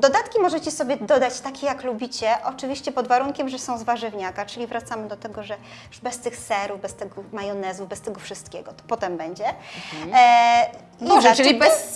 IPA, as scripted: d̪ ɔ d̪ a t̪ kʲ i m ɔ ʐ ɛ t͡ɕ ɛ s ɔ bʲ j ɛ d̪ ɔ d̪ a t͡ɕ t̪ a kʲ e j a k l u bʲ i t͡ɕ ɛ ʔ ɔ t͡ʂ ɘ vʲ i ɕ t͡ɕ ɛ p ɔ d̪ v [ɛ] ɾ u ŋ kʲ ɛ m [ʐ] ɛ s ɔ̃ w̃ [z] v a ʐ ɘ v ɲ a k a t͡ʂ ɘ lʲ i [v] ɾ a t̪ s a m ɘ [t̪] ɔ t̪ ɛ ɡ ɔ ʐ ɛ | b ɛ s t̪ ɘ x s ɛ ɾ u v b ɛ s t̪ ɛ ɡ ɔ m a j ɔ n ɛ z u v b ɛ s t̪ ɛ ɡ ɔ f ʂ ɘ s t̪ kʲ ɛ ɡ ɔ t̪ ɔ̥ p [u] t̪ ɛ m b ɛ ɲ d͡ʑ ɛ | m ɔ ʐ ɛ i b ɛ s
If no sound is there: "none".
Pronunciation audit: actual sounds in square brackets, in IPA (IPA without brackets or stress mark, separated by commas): a, ʐ, z, v, d̪, ɔ